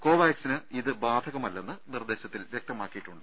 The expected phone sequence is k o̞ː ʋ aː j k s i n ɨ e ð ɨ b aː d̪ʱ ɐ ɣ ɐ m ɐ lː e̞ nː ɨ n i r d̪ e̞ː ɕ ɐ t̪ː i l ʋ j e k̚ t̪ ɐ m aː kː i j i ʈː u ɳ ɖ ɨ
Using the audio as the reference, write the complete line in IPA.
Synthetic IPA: k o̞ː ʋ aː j k s i n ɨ i ð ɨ b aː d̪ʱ ɐ ɣ ɐ m ɐ lː e̞ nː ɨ n i r d̪ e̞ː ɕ ɐ t̪ː i l ʋ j e k̚ t̪ ɐ m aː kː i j i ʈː u ɳ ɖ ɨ